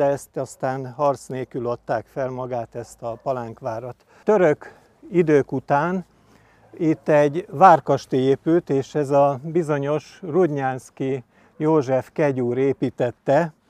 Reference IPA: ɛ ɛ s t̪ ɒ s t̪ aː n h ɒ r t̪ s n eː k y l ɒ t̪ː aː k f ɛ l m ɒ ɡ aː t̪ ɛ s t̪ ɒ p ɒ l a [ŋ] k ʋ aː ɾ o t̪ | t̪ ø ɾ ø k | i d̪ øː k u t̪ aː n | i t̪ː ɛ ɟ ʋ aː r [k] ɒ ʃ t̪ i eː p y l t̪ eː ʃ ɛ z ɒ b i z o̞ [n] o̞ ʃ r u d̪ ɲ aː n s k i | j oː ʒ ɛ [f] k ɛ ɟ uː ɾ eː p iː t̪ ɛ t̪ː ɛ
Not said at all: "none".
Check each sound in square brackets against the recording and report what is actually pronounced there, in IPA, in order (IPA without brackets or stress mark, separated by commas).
ŋ, k, ɲ, f